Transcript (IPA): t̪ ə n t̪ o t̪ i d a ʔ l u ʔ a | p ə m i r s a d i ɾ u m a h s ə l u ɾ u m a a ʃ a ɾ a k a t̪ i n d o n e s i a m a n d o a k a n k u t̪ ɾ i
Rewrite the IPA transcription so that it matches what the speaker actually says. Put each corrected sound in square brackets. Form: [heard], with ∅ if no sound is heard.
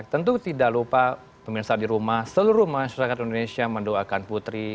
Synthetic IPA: t̪ ə n t̪ [u] t̪ i d a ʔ l u [p] a | p ə m i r s a d i ɾ u m a h s ə l u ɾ u m a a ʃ a ɾ a k a t̪ i n d o n e s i a m [ə] n d o a k a n [p] u t̪ ɾ i